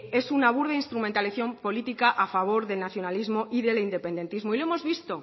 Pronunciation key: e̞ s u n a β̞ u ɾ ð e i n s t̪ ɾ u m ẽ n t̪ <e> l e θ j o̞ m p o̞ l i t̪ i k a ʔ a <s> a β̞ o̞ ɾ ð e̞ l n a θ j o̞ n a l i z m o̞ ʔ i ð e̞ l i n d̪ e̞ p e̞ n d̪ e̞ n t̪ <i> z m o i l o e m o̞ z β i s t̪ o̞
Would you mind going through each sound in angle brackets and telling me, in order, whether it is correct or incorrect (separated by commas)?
incorrect, incorrect, correct